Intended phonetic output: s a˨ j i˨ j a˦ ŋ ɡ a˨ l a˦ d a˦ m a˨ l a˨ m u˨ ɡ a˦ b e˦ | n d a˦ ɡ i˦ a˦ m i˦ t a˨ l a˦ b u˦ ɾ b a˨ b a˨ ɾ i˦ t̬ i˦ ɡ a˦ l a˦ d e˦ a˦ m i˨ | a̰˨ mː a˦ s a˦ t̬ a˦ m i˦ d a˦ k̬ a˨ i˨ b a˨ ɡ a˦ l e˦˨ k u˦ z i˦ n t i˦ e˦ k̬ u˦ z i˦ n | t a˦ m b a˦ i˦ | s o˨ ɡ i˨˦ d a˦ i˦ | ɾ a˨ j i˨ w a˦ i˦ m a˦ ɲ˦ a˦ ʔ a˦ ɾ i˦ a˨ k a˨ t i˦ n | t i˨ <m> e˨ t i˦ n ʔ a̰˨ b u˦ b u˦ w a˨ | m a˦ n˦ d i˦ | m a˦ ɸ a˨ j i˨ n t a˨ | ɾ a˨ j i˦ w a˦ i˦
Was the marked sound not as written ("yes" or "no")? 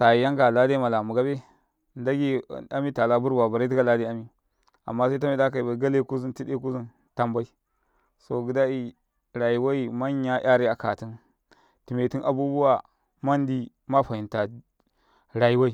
no